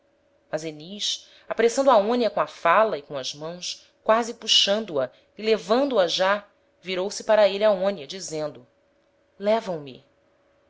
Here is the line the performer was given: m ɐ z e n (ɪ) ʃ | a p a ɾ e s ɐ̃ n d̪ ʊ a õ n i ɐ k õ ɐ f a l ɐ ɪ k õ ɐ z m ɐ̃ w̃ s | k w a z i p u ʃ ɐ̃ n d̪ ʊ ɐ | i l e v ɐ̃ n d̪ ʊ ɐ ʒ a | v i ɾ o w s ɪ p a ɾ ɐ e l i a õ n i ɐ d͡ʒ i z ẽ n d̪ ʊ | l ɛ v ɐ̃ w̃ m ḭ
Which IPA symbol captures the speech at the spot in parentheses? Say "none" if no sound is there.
i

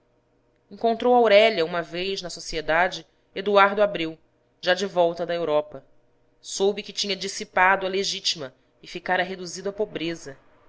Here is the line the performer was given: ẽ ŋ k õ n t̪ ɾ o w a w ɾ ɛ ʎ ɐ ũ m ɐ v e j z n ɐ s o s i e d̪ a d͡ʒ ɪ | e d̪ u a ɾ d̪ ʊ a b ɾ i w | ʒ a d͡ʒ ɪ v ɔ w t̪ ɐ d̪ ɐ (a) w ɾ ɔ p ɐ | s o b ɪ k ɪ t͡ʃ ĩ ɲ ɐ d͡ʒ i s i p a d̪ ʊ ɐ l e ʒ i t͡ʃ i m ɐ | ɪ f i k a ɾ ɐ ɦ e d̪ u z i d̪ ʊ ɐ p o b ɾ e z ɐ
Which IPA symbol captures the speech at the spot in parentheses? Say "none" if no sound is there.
e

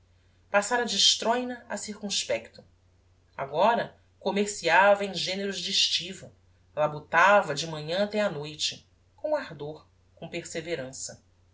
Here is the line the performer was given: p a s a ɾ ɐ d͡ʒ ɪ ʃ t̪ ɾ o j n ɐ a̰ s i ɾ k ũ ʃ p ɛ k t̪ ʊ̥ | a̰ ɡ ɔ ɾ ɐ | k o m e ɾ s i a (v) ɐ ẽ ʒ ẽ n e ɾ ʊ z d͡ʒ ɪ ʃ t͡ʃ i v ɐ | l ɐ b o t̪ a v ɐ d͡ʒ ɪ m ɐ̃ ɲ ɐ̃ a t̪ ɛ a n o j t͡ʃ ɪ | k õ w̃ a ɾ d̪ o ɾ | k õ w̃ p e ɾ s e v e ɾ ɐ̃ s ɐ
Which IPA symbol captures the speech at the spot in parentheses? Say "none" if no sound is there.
v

